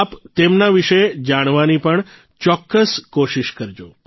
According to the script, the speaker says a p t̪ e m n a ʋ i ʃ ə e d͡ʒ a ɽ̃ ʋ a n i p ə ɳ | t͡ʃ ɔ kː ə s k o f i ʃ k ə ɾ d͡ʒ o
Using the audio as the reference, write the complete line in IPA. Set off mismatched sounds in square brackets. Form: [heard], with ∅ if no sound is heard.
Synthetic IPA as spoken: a p t̪ e m n a ʋ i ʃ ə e d͡ʒ a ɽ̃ ʋ a n i p ə ɳ | t͡ʃ ɔ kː ə s k o [ʃ] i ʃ k ə ɾ d͡ʒ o